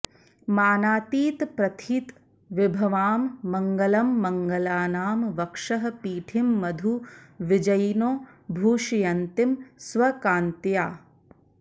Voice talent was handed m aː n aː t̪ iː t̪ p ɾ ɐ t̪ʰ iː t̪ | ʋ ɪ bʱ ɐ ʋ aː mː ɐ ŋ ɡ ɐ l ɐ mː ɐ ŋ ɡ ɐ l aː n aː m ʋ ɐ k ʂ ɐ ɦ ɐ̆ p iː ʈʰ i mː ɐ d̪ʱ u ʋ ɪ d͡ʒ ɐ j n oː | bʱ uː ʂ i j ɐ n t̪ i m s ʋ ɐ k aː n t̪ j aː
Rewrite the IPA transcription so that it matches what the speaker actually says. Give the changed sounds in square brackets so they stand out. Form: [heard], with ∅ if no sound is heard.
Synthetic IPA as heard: m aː n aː t̪ iː t̪ p ɾ ɐ t̪ʰ iː t̪ | ʋ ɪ bʱ ɐ ʋ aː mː ɐ ŋ ɡ ɐ l ɐ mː ɐ ŋ ɡ ɐ l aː n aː m ʋ ɐ k ʂ ɐ ɦ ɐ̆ p iː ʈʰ i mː ɐ d̪ʱ u ʋ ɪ d͡ʒ ɐ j n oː | bʱ uː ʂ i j ɐ n t̪ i m s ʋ ɐ k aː n t̪ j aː